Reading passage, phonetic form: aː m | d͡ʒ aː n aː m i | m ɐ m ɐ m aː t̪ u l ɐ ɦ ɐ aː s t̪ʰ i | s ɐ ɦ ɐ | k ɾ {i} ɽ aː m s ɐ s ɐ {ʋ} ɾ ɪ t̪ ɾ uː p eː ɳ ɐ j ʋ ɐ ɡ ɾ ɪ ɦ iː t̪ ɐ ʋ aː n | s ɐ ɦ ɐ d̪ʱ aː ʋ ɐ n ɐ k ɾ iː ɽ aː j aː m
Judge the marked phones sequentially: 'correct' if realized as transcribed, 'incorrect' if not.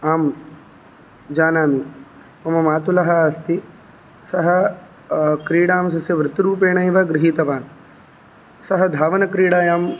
incorrect, correct

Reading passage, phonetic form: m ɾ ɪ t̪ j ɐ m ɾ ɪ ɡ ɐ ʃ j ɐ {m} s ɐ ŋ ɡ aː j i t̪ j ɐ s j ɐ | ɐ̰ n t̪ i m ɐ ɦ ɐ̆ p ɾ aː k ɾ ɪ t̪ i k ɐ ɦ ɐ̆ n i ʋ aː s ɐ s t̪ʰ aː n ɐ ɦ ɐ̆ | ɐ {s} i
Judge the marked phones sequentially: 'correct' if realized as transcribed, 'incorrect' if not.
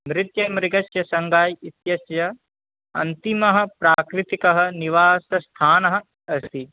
incorrect, correct

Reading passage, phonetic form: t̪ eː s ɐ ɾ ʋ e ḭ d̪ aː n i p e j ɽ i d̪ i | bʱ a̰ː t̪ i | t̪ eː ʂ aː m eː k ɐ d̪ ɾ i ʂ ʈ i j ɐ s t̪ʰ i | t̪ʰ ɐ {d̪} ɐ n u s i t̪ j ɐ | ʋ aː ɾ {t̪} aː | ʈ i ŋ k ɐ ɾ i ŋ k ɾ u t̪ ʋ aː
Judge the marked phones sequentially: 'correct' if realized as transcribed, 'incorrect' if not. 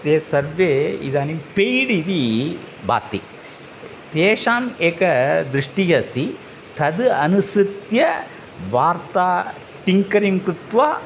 correct, correct

